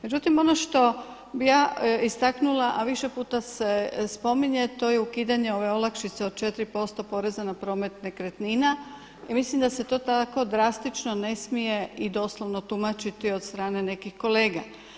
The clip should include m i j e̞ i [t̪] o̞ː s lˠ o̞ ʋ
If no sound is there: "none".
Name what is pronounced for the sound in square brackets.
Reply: d̪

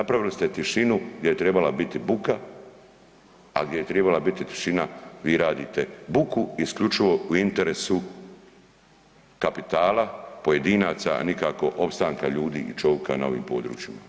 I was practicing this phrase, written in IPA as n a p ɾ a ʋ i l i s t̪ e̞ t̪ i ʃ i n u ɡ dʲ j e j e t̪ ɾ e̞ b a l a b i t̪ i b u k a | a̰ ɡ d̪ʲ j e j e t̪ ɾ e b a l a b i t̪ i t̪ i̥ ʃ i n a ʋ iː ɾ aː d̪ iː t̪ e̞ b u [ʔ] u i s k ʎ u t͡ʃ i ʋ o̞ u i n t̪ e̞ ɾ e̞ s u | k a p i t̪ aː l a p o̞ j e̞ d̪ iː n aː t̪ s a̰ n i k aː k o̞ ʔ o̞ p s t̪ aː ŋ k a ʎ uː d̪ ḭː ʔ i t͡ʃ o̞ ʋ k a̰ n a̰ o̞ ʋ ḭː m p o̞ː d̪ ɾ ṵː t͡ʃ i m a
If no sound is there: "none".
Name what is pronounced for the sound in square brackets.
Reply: k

